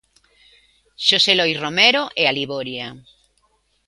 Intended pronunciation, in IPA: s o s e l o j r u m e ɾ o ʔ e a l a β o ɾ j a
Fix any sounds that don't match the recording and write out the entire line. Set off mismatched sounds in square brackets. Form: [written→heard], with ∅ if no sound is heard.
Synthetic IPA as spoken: [s→ʃ] o s e l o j r [u→o] m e ɾ o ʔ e a l [a→i] β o ɾ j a